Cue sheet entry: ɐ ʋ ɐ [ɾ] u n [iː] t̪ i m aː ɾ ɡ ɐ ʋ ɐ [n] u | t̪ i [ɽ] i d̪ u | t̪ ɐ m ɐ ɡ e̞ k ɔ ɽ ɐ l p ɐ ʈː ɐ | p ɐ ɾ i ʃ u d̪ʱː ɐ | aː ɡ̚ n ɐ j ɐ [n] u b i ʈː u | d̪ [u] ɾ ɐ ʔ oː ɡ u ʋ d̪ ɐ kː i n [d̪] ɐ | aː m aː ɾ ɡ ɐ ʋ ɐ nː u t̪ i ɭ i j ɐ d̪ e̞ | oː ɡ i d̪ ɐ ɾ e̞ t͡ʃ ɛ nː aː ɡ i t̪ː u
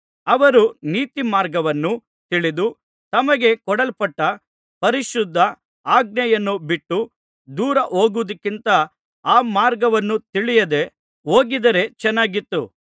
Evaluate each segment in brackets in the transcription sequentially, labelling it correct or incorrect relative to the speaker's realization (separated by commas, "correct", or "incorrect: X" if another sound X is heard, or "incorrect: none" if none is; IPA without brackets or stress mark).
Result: correct, correct, incorrect: nː, incorrect: ɭ, incorrect: nː, incorrect: uː, incorrect: t̪